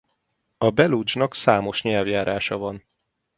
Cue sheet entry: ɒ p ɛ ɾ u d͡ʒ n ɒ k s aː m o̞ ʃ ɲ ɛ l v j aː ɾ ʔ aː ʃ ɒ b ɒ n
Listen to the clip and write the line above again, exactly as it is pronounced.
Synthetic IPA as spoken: ɒ b ɛ l u d͡ʒ n ɒ k s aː m o̞ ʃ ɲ ɛ l v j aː ɾ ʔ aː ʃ ɒ v ɒ n